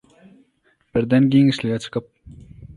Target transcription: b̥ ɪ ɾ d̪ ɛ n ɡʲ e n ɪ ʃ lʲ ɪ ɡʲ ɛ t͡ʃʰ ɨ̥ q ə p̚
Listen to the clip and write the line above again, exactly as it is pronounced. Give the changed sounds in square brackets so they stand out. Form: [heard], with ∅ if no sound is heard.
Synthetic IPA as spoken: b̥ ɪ ɾ d̪ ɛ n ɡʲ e [ŋ] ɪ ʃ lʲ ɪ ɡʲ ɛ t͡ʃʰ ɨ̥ q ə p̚